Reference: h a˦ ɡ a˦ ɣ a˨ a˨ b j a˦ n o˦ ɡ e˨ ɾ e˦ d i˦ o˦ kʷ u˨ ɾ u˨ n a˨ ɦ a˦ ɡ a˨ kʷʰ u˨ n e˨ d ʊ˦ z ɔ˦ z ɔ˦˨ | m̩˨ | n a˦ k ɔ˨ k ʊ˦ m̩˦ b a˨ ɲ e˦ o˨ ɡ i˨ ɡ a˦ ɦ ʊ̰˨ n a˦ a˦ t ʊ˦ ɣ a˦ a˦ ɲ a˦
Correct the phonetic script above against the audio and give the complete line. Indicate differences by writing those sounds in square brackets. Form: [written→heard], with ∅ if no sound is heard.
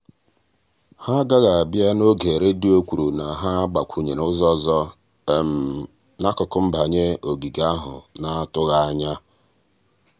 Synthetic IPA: h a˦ ɡ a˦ ɣ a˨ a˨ b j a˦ n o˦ ɡ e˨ ɾ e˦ d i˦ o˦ kʷ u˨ ɾ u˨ n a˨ ɦ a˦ [ɡ→ɡ͡b] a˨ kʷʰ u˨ [n→ɲ] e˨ [d→n] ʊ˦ z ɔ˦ z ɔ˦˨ | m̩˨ | n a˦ k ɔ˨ k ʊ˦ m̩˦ b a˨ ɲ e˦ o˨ ɡ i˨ ɡ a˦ ɦ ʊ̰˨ n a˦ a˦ t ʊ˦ ɣ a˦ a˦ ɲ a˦